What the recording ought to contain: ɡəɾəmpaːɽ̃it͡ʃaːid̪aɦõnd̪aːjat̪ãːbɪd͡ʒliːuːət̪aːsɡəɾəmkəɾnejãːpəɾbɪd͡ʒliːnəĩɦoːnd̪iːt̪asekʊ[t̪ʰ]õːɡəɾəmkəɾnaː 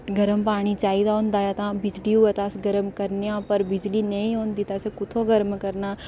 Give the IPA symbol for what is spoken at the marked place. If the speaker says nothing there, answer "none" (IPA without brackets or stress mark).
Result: t̪ʰ